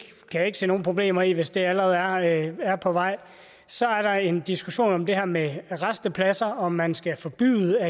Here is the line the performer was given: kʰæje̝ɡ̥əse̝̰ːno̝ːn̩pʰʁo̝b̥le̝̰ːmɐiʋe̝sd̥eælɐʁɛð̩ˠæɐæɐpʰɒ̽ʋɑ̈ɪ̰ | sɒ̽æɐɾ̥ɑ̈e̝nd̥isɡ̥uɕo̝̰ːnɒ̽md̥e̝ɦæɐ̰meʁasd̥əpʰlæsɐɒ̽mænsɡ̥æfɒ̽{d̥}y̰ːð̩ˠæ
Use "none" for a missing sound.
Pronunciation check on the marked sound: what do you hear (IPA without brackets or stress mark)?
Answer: b̥